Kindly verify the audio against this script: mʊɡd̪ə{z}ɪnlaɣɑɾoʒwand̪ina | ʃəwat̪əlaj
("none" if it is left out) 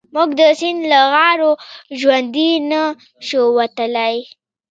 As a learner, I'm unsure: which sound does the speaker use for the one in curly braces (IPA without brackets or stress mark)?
s